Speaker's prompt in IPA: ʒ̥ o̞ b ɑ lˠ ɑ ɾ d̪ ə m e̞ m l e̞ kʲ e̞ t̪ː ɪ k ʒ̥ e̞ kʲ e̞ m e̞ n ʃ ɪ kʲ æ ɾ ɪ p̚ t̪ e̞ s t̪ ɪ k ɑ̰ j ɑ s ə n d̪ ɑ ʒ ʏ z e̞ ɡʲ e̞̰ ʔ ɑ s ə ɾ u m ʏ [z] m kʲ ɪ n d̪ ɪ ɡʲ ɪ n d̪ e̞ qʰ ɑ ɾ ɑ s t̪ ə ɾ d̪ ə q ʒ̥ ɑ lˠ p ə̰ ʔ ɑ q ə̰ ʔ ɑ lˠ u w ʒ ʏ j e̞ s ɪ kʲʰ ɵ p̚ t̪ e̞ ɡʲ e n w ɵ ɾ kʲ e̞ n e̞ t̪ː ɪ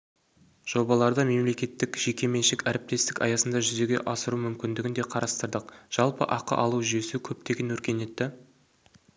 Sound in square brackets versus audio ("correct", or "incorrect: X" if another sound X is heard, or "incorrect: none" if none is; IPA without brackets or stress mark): incorrect: none